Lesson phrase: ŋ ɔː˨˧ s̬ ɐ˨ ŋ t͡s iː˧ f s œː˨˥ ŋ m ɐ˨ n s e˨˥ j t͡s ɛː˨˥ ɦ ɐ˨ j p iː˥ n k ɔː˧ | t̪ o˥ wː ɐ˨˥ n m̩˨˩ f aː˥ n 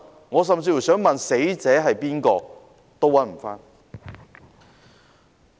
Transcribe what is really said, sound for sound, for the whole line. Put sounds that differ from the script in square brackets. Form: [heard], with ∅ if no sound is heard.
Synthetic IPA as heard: ŋ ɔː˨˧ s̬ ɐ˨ [m] t͡s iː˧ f s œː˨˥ ŋ m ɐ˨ n s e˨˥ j t͡s ɛː˨˥ ɦ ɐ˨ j p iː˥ n k ɔː˧ | t̪ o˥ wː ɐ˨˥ n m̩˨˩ f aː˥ n